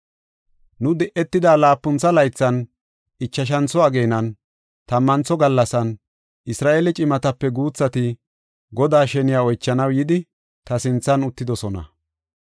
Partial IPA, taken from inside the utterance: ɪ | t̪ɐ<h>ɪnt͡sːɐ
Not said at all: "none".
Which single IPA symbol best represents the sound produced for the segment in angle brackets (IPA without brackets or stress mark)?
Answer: s